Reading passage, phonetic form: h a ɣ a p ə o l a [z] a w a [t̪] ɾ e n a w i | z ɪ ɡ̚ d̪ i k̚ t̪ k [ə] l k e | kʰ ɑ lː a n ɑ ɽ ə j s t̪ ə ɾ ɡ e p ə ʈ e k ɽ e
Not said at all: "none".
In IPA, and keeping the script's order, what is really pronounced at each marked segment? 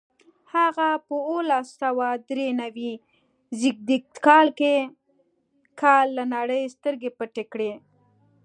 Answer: s, d̪, ɑ

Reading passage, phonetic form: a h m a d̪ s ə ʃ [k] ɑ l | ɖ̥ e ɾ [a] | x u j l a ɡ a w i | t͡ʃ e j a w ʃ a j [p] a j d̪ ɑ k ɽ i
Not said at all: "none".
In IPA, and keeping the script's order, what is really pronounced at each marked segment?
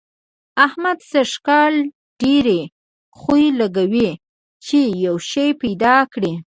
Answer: k, e, p

